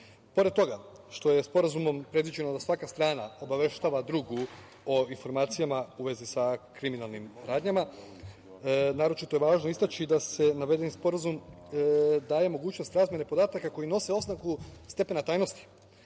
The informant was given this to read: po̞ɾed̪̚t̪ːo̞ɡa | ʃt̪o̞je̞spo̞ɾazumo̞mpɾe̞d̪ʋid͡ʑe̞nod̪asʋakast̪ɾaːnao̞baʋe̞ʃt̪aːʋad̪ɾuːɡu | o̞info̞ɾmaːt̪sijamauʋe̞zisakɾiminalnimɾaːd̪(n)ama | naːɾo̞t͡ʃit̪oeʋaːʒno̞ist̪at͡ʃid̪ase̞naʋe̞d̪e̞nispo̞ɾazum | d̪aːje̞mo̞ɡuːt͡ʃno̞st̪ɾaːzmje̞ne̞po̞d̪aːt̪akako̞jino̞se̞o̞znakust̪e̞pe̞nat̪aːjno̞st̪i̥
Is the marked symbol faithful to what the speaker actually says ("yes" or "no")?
no